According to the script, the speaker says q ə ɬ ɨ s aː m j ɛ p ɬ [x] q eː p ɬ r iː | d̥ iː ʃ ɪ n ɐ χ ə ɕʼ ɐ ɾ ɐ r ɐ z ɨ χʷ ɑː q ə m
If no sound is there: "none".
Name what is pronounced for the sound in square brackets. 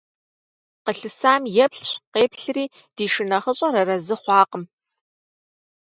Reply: ɕ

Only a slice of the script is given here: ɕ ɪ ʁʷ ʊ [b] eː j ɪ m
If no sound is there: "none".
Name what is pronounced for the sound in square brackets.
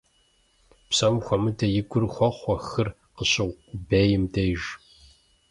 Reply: b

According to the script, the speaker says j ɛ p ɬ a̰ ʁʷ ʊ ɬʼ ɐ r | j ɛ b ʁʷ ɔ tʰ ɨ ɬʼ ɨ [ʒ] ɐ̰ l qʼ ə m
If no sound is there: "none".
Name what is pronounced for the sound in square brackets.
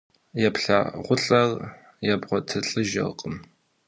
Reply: ʒ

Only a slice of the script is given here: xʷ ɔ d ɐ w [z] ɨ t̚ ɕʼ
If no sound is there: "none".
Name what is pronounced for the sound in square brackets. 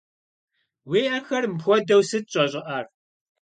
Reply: s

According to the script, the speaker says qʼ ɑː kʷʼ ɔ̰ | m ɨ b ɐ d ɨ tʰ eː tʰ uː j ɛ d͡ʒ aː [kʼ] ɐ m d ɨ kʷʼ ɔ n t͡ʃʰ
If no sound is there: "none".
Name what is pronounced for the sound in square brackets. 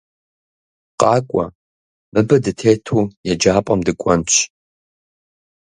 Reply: pʼ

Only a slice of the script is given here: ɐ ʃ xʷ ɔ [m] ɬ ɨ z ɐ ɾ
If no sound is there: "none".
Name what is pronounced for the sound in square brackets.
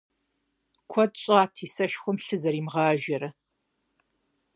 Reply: m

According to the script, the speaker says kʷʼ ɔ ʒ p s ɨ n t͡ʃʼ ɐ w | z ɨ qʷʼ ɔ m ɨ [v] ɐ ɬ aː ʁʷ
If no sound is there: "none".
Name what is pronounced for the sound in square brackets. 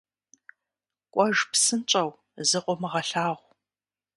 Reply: ʁ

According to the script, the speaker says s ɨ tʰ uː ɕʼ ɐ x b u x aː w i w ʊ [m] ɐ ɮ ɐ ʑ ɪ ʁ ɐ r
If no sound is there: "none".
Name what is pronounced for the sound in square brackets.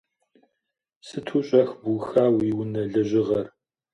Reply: n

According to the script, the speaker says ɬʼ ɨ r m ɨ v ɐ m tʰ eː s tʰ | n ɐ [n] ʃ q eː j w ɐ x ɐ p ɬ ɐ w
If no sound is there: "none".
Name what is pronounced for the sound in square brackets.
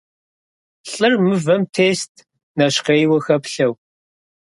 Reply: none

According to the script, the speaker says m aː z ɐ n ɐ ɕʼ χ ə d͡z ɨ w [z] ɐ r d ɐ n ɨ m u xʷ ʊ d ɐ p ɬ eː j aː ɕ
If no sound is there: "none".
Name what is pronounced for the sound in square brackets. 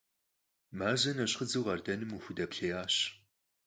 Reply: ʁ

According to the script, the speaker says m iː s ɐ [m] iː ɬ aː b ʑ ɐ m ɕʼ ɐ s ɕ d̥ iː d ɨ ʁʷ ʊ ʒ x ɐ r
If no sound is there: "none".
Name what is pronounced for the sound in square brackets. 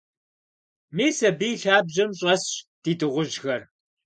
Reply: b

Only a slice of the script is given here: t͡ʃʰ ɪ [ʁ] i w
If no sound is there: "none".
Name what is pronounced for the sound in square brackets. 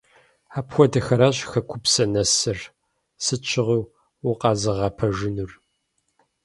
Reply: ʁ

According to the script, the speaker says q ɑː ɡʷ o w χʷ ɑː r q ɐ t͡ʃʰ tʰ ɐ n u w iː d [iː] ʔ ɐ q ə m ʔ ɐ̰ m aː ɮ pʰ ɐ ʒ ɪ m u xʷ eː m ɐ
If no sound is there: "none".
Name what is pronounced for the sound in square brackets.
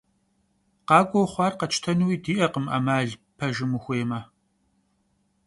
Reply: iː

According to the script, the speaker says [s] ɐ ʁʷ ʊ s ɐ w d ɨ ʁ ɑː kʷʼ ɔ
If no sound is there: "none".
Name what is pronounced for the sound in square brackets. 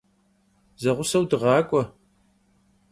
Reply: z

